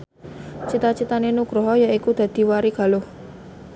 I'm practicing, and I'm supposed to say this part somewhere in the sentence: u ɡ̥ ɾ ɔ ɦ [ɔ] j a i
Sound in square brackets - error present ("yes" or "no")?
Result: no